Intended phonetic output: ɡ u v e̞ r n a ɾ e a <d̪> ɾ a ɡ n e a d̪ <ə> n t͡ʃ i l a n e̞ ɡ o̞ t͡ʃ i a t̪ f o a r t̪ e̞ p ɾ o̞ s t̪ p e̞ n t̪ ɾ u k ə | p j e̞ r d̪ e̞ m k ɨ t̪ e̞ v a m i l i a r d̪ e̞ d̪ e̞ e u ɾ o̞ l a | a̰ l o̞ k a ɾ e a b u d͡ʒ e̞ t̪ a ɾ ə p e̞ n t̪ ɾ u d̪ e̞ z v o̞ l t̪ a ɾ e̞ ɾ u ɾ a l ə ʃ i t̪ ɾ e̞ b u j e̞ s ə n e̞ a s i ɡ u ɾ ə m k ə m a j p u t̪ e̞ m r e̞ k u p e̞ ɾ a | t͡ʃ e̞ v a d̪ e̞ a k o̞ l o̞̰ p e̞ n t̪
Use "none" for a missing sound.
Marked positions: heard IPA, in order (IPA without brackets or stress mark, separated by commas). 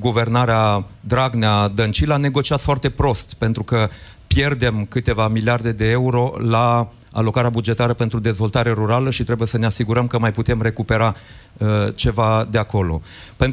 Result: d̪, ə